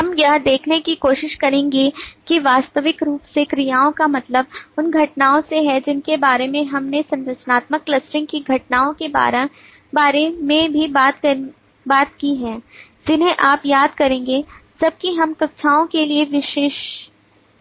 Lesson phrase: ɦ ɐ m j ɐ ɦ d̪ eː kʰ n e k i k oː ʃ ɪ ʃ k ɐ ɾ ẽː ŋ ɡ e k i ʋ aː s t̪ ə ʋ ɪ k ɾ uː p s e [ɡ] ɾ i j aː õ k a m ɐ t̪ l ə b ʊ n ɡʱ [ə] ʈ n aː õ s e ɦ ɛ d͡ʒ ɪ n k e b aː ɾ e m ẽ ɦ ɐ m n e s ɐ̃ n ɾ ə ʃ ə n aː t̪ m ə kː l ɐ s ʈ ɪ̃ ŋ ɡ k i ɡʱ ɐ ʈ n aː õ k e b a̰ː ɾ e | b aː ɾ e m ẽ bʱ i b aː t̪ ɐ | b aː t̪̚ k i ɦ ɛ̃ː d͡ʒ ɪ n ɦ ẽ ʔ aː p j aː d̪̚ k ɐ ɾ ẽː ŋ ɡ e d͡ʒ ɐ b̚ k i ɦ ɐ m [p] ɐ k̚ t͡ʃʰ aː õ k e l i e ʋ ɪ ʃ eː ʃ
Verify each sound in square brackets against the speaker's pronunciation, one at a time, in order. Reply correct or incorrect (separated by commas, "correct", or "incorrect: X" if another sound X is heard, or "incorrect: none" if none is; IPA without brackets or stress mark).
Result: incorrect: k, incorrect: ɐ, incorrect: k